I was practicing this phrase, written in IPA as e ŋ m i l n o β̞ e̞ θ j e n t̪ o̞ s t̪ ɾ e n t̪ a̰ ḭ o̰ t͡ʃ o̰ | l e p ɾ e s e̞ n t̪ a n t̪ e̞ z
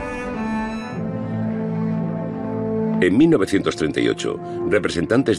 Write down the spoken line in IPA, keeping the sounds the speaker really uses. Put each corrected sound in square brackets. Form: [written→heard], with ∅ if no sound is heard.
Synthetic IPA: e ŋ m i l n o β̞ e̞ θ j e n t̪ o̞ s t̪ ɾ e n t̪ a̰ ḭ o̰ t͡ʃ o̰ | [l→r] e p ɾ e s e̞ n t̪ a n t̪ e̞ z